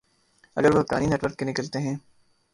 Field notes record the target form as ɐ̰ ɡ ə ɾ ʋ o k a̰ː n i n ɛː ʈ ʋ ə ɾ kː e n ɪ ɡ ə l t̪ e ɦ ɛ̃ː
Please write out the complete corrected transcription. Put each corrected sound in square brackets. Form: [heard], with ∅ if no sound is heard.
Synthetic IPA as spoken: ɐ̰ ɡ ə ɾ ʋ o k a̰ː n i n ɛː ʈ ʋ ə ɾ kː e n ɪ [k] ə l t̪ e ɦ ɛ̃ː